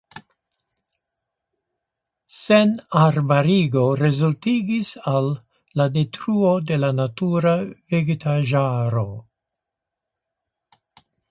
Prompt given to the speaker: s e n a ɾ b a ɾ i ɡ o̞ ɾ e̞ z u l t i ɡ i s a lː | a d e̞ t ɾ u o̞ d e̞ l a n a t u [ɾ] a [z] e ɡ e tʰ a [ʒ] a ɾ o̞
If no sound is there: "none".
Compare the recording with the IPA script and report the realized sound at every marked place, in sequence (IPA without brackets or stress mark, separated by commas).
ɾ, v, ʒ